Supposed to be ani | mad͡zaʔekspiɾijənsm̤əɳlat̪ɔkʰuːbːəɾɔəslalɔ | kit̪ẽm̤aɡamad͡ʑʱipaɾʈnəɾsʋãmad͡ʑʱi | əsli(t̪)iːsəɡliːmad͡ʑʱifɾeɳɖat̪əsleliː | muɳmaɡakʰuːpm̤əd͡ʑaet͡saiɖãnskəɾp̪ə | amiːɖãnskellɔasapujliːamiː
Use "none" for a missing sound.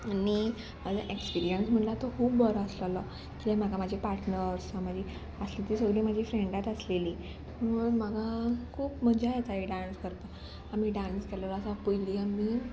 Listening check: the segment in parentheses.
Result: t̪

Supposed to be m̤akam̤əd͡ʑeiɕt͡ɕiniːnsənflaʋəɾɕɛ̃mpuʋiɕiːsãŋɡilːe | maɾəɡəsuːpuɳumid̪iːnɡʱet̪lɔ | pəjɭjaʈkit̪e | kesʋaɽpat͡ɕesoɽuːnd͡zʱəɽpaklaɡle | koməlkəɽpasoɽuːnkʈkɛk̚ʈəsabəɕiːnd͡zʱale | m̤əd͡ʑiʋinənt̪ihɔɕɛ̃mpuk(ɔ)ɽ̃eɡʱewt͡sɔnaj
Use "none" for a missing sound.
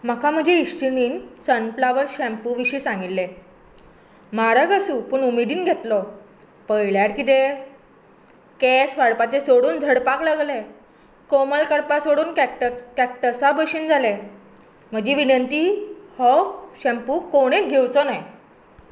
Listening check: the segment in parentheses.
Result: o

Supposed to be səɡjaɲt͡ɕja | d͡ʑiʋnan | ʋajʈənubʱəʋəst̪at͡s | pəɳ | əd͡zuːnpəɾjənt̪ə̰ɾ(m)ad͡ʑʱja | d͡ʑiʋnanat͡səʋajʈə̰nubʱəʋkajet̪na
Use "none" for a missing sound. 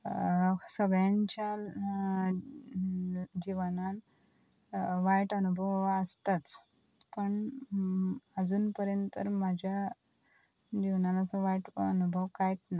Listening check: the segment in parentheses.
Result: m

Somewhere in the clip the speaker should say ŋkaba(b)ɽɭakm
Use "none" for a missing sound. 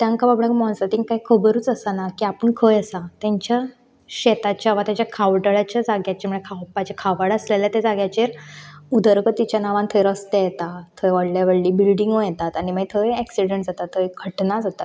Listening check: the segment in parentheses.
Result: b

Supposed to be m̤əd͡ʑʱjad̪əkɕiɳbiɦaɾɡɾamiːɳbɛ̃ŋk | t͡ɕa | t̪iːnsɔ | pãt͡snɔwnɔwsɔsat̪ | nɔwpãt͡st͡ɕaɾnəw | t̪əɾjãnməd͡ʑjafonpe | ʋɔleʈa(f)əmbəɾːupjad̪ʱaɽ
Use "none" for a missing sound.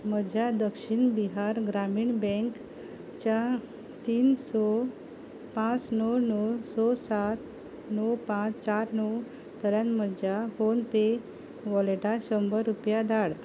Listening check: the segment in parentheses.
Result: ɕ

